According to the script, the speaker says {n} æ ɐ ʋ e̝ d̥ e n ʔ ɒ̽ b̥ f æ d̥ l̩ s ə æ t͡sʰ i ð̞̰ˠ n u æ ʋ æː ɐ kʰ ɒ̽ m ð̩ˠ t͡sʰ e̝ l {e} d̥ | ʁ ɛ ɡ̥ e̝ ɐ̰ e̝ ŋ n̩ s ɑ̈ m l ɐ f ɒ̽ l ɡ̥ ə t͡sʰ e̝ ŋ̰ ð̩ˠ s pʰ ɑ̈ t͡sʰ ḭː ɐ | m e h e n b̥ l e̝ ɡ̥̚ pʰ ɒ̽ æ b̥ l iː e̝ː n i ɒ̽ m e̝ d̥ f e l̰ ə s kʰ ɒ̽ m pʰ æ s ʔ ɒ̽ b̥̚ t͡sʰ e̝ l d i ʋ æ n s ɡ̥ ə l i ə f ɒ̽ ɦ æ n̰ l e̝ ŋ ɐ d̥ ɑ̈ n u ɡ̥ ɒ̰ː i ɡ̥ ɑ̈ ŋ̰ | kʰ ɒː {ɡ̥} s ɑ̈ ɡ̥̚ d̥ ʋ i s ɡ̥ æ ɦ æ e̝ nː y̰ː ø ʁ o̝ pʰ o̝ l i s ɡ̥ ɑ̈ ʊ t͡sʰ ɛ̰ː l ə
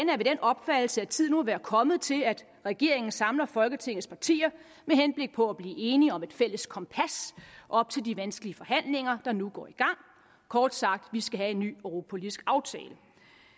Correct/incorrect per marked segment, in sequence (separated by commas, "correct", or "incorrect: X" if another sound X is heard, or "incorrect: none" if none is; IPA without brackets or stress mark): correct, incorrect: æ, incorrect: d̥